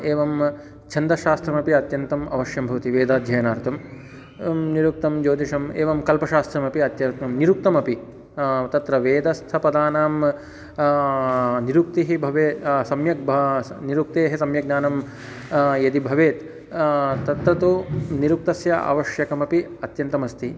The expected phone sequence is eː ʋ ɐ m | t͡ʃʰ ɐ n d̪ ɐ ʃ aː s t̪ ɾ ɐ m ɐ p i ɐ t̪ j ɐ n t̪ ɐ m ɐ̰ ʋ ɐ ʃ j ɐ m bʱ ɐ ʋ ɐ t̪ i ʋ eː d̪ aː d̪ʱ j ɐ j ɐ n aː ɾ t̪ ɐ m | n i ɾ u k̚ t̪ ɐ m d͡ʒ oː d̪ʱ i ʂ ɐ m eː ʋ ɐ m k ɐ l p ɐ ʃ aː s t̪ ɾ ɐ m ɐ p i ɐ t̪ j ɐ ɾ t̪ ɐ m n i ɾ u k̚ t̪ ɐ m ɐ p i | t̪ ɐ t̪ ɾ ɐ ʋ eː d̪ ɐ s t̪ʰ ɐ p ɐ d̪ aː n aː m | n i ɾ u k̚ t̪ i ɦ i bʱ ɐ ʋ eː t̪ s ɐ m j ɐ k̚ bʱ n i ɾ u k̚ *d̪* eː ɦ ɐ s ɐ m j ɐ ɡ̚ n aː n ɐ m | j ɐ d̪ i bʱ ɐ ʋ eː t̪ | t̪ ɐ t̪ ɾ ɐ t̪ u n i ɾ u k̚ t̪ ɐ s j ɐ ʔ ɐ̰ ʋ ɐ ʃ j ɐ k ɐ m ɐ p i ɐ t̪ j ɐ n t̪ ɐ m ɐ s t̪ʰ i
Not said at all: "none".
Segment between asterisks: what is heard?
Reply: t̪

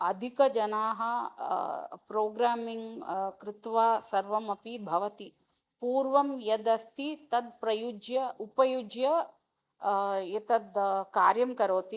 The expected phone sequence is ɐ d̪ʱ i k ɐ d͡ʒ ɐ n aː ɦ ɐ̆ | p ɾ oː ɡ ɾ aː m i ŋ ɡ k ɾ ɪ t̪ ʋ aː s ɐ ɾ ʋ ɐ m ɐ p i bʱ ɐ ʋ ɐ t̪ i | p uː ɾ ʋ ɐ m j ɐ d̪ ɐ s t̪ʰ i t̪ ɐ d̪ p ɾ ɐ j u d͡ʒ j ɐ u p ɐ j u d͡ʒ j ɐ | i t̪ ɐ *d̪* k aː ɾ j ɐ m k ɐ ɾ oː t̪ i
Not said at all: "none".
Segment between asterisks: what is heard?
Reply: d̪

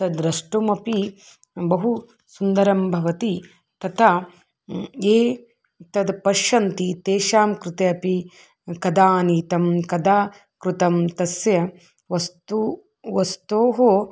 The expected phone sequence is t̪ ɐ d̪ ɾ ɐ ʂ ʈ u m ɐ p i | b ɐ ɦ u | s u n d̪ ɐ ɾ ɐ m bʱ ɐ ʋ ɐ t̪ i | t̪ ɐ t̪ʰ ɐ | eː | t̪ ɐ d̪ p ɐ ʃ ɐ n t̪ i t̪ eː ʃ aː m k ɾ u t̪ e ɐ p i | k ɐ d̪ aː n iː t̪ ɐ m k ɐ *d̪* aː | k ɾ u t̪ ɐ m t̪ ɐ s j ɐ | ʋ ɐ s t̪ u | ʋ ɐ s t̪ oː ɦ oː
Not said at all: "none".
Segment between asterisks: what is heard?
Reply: d̪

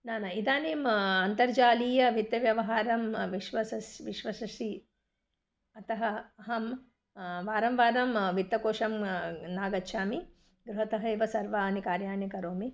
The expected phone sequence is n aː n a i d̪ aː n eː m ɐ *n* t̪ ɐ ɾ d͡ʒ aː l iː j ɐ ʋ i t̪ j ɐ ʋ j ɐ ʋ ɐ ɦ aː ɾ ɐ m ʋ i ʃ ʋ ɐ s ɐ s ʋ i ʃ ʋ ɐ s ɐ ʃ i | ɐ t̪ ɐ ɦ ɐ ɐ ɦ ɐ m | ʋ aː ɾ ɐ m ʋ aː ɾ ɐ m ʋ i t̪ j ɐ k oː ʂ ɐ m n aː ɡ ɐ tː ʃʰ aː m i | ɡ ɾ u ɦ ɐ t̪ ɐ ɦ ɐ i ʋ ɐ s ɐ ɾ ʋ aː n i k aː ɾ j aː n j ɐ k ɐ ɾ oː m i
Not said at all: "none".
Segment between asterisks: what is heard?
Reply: n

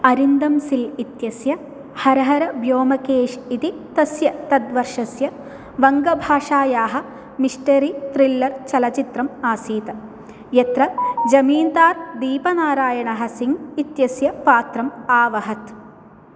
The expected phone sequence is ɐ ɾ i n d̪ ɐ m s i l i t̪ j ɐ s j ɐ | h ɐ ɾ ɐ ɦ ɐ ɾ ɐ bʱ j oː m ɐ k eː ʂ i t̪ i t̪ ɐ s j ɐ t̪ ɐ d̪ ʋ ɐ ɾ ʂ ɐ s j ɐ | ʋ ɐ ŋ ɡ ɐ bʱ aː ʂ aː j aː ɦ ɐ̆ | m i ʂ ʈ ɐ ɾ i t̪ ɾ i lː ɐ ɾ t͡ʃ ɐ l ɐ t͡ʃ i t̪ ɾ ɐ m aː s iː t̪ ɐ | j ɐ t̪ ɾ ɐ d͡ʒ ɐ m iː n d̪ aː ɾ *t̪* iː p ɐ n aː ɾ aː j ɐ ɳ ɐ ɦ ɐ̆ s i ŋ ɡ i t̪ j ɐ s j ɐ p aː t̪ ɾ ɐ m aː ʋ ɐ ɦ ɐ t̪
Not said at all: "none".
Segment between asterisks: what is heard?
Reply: d̪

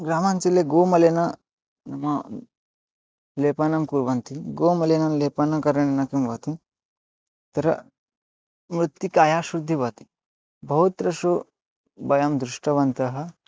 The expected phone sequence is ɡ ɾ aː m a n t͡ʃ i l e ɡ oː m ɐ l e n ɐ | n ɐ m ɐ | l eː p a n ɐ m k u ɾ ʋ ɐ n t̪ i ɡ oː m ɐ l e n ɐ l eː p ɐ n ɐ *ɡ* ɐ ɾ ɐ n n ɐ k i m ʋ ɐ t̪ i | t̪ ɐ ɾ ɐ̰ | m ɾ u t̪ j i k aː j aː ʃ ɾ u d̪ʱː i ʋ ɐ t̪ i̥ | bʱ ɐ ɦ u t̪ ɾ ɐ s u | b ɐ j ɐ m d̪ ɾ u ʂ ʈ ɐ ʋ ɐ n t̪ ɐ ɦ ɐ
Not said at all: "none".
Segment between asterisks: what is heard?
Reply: k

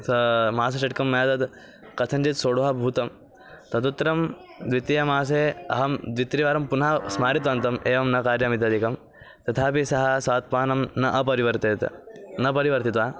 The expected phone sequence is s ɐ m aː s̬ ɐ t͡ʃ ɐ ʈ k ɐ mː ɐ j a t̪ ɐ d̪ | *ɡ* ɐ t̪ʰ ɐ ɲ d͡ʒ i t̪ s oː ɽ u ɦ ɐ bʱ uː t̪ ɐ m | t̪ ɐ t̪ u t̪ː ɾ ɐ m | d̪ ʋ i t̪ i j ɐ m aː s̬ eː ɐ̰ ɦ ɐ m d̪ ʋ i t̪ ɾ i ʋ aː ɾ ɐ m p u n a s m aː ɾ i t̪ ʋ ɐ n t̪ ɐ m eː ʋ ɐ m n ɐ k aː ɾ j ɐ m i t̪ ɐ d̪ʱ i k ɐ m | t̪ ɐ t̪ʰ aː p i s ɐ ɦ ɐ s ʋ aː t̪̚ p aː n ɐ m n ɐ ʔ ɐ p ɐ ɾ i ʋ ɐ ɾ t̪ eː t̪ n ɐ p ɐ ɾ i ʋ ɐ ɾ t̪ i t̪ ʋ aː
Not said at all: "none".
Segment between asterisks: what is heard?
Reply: k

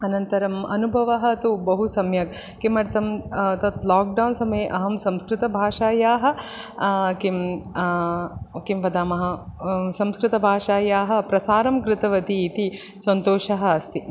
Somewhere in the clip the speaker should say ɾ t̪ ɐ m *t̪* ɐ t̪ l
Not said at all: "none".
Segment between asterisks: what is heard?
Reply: t̪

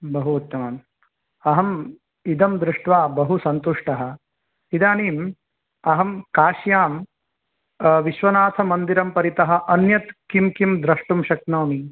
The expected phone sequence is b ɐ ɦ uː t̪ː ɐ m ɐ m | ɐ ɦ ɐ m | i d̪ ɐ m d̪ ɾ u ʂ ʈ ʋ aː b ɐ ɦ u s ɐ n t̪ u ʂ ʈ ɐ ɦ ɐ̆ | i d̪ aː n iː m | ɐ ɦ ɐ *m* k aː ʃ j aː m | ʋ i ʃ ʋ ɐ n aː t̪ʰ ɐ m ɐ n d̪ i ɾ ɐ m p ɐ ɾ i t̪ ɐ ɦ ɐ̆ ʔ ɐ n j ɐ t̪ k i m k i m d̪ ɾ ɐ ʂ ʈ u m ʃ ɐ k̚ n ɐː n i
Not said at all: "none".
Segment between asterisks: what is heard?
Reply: m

